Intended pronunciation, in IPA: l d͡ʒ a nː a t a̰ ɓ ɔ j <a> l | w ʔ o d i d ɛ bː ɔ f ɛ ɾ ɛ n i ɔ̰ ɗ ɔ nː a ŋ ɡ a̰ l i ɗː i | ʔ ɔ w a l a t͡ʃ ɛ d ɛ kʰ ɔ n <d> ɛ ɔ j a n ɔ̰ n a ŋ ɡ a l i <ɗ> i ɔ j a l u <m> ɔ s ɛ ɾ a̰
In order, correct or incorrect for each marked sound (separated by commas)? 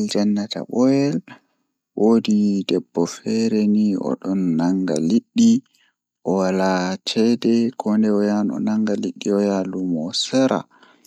incorrect, correct, incorrect, correct